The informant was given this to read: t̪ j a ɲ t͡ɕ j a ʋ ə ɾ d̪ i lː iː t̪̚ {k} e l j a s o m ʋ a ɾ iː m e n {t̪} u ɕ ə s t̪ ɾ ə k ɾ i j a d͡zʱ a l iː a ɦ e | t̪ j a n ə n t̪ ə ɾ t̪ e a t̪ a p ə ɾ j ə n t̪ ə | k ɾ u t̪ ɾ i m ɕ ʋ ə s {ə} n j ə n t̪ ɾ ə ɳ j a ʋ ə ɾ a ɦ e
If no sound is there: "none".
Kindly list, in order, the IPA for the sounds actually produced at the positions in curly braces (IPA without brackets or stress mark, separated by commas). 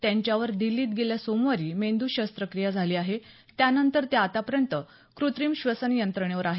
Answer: ɡ, d̪, ə